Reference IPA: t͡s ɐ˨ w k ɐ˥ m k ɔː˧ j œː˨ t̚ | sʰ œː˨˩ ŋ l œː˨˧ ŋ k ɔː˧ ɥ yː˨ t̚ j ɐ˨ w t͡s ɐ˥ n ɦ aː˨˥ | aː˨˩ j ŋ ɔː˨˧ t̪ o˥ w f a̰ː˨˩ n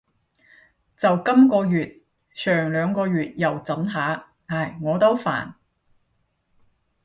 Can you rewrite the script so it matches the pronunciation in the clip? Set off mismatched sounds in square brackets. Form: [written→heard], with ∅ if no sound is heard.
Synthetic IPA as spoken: t͡s ɐ˨ w k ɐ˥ m k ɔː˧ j [œː˨→yː˨] t̚ | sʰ œː˨˩ ŋ l œː˨˧ ŋ k ɔː˧ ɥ yː˨ t̚ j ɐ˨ w t͡s [ɐ˥→ɐ˨˥] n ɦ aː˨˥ | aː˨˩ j ŋ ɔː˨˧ t̪ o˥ w f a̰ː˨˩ n